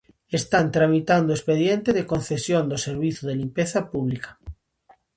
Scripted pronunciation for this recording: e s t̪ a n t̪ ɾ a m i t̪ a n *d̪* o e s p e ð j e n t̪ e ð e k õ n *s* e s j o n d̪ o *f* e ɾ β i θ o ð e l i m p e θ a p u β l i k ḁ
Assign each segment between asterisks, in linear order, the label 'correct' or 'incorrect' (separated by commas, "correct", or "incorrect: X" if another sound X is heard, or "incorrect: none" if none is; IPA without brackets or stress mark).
correct, incorrect: θ, incorrect: s